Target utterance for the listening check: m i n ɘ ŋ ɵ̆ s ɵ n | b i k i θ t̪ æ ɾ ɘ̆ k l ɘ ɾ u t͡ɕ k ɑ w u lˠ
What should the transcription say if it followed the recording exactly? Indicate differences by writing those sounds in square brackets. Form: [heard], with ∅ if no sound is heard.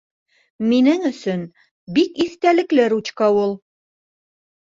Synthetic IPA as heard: m i n ɘ ŋ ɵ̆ s ɵ n | b i k i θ t̪ æ [l] ɘ̆ k l ɘ ɾ u t͡ɕ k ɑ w u lˠ